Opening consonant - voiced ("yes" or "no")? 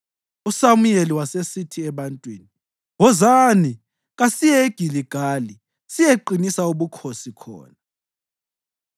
no